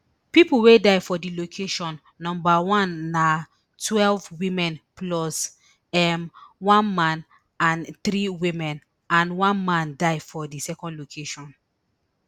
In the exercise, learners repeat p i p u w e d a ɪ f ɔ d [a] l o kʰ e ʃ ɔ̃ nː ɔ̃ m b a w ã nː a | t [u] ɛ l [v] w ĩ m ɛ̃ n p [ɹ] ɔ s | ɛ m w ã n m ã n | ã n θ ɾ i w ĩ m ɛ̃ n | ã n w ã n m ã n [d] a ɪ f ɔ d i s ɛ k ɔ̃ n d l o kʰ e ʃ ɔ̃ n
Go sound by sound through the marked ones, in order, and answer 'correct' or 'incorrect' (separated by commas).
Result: incorrect, incorrect, correct, incorrect, correct